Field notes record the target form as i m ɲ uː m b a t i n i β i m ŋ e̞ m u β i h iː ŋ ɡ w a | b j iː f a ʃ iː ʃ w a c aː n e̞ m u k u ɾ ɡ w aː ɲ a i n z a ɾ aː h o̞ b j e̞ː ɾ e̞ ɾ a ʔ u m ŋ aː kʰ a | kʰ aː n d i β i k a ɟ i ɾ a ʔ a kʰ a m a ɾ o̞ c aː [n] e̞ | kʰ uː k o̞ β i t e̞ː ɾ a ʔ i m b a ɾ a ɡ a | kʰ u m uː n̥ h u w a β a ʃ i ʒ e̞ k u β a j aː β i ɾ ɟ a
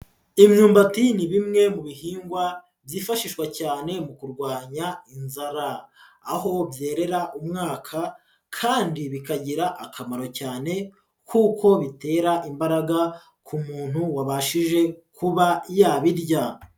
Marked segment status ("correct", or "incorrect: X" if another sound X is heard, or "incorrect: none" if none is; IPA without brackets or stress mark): correct